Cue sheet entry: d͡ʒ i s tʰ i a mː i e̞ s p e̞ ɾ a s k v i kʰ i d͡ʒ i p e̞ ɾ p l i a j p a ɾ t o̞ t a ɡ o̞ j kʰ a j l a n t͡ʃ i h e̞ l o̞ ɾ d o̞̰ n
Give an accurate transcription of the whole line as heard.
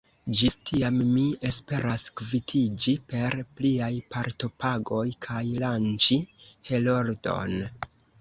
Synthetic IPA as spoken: d͡ʒ i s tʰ i a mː i e̞ s p e̞ ɾ a s k v i tʰ i d͡ʒ i p e̞ ɾ p l i a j p a ɾ t o̞ p a ɡ o̞ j kʰ a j l a n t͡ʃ i h e̞ l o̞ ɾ d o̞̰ n